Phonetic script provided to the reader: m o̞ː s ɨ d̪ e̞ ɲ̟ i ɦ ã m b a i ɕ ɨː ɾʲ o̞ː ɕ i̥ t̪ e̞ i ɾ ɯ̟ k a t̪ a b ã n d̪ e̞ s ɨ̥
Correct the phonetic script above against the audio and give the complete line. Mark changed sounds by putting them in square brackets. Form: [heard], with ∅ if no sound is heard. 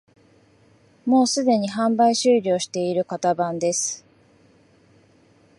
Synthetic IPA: m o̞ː s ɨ d̪ e̞ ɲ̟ i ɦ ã m b a i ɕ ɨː ɾʲ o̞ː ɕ i̥ t̪ e̞ i ɾ ɯ̟ k a t̪ a b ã n d̪ e̞ s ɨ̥